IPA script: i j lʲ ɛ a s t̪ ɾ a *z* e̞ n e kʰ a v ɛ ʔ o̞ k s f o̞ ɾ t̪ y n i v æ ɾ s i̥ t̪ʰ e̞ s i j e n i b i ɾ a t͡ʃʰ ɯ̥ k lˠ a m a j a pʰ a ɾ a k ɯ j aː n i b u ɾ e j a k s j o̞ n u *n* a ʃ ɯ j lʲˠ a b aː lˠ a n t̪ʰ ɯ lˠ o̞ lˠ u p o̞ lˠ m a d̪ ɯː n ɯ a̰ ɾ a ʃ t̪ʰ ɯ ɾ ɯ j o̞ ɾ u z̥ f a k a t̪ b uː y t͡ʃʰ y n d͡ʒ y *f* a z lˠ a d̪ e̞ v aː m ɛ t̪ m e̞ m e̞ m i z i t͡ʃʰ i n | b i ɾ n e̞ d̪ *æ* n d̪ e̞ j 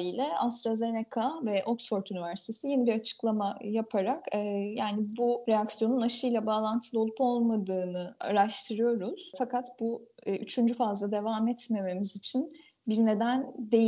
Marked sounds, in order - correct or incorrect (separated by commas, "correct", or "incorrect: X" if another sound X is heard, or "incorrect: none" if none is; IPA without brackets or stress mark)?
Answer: correct, correct, correct, correct